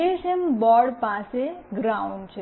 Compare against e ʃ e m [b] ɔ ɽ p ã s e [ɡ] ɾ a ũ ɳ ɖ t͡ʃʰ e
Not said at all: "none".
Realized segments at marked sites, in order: b, ɡ

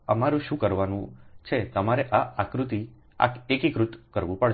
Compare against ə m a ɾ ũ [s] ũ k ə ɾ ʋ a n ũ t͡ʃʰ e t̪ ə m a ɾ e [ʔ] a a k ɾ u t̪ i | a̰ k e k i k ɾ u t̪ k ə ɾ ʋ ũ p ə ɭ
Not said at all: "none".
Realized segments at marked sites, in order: ʃ, ʔ

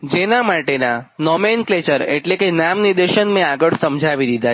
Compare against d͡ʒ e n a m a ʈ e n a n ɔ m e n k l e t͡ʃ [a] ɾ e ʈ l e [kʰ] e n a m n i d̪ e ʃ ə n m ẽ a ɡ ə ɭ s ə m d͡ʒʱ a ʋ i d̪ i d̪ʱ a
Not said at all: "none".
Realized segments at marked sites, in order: ə, k

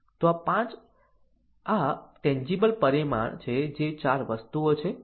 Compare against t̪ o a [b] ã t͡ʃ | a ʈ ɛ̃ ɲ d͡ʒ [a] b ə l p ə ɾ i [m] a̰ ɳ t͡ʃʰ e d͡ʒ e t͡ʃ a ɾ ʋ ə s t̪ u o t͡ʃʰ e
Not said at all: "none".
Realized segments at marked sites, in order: p, i, m

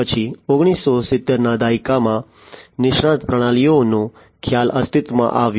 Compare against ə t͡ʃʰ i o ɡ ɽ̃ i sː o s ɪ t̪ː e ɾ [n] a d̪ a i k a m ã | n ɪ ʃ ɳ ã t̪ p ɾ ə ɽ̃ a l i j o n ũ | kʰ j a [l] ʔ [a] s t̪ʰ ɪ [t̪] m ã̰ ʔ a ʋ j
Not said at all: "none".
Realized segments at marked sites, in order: n, l, ə, t̪

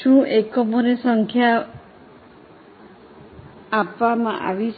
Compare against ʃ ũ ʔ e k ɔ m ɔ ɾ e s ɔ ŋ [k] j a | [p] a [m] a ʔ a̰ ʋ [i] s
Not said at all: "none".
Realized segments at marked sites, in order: kʰ, p, m, i

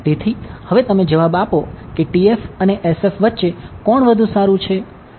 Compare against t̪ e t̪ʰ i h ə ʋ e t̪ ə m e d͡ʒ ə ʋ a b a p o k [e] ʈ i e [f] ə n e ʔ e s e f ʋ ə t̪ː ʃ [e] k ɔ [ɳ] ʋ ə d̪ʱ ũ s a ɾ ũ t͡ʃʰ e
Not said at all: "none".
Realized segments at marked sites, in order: e, f, e, ɳ

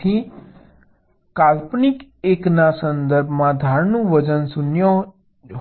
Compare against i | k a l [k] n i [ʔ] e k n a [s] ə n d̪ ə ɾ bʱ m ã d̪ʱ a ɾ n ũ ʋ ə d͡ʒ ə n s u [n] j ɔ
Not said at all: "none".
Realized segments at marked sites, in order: p, k, s, n

